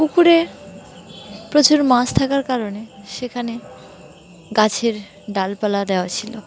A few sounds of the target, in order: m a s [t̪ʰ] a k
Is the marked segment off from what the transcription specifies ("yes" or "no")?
no